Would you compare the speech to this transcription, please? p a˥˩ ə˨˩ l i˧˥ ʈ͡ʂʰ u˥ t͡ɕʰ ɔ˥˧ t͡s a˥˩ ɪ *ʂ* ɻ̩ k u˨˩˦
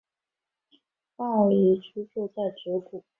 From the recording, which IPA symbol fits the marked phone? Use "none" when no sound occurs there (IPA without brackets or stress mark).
ʈ͡ʂ